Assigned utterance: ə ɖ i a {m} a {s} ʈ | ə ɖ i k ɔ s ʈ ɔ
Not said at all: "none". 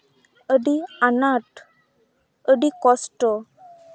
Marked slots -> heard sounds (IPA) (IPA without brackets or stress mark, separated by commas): n, none